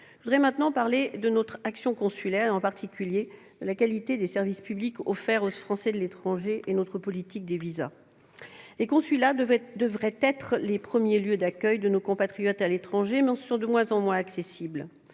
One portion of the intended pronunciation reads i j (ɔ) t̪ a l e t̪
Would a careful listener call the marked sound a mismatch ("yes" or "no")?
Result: no